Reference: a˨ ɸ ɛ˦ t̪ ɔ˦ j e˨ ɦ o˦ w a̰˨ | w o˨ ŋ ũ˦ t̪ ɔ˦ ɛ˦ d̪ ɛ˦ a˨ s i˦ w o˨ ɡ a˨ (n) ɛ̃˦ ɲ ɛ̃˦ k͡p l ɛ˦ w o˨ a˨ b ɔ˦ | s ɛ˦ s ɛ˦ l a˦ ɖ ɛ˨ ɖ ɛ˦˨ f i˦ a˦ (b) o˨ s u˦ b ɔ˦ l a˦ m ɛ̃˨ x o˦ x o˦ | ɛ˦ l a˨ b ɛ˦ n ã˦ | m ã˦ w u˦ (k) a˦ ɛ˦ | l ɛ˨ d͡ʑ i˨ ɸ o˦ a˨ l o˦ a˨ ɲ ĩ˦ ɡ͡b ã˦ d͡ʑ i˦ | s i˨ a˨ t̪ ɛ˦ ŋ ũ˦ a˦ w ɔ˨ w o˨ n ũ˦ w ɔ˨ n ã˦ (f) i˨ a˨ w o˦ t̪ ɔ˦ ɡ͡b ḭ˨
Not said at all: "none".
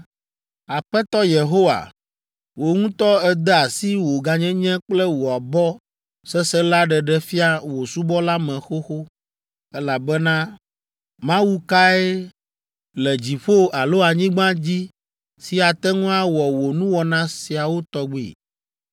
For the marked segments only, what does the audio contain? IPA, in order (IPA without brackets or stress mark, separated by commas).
ɲ, w, k, s